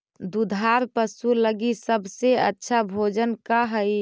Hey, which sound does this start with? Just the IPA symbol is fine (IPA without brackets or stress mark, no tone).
d̪